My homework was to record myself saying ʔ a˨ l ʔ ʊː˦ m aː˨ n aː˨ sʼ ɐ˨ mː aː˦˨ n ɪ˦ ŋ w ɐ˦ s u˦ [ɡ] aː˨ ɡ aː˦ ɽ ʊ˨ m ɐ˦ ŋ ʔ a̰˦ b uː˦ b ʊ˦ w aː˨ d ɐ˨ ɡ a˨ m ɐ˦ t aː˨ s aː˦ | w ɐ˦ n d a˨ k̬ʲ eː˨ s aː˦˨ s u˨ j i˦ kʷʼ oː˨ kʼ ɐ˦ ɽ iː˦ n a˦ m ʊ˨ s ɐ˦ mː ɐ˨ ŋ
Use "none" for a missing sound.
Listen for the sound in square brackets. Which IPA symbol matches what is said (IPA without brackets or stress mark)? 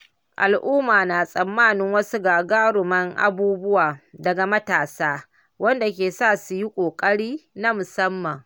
ɡ